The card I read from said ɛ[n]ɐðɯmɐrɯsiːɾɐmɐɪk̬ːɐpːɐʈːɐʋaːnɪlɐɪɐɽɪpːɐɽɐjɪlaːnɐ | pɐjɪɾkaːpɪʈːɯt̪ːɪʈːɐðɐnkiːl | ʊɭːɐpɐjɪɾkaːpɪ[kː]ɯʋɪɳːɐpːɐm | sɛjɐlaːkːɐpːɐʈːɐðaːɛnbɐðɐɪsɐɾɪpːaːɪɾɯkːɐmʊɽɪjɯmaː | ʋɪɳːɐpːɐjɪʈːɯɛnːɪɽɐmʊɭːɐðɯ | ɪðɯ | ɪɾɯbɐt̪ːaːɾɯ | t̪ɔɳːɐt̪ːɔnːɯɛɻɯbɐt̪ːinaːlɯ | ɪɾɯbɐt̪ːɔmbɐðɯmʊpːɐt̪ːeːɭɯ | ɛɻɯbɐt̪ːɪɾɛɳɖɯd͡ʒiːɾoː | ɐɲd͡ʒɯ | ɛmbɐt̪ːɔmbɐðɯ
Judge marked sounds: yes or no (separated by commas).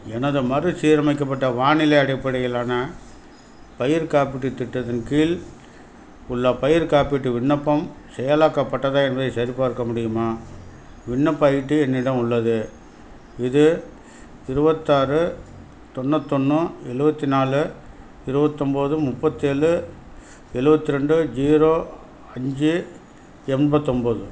yes, no